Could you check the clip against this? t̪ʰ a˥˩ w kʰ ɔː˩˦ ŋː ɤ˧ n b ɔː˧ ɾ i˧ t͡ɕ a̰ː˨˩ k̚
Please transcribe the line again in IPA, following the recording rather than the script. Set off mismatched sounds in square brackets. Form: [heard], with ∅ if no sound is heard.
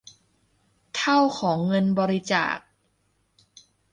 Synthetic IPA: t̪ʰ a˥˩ w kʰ ɔː˩˦ ŋː ɤ˧ n b ɔː˧ ɾ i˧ t͡ɕ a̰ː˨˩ k̚

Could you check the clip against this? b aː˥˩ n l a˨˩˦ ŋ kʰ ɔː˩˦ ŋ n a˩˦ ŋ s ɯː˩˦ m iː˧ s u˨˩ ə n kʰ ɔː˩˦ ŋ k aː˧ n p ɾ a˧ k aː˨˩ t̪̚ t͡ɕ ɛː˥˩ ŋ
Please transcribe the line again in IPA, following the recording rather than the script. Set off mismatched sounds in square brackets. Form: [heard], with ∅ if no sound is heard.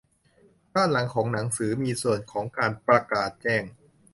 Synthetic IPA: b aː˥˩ n l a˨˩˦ ŋ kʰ ɔː˩˦ ŋ n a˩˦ ŋ s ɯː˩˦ m iː˧ s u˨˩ ə n kʰ ɔː˩˦ ŋ k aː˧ n p ɾ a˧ k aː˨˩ t̪̚ t͡ɕ ɛː˥˩ ŋ

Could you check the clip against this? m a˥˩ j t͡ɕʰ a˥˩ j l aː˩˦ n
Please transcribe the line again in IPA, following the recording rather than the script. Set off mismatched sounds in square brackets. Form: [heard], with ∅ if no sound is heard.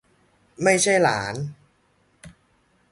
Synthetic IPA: m a˥˩ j t͡ɕʰ a˥˩ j l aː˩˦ n

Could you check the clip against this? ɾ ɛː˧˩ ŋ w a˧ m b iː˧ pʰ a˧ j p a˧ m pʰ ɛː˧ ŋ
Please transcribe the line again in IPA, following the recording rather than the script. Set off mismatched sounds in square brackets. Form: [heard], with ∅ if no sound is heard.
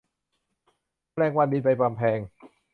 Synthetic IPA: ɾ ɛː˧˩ ŋ w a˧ [n] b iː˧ [p] a˧ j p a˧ m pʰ ɛː˧ ŋ

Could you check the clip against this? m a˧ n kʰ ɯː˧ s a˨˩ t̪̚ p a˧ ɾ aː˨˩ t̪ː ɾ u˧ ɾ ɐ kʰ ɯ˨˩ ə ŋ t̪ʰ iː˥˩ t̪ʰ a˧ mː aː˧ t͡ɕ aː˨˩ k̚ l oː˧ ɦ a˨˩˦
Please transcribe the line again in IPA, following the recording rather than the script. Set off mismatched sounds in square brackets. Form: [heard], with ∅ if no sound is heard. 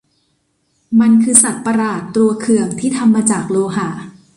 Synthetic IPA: m a˧ n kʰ ɯː˧ s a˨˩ t̪̚ p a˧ ɾ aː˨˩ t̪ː ɾ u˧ [∅] ɐ kʰ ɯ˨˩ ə ŋ t̪ʰ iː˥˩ t̪ʰ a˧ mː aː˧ t͡ɕ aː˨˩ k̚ l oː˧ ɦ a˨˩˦

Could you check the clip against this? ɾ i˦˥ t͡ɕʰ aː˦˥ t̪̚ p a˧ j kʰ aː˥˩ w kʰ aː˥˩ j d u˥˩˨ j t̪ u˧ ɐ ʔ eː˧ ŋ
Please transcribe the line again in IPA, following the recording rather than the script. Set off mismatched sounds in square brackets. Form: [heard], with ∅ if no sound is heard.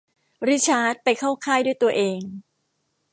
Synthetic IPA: ɾ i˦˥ t͡ɕʰ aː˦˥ t̪̚ p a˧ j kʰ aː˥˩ w kʰ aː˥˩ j d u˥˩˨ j t̪ u˧ ɐ ʔ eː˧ ŋ

